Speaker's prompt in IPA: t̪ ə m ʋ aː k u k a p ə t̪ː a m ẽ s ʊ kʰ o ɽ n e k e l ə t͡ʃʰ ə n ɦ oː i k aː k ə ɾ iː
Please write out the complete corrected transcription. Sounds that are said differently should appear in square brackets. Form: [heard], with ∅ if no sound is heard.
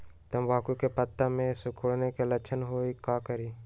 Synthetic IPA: t̪ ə m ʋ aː k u k [e] p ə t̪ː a m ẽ s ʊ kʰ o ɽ n e k e l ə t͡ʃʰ ə n ɦ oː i k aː k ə ɾ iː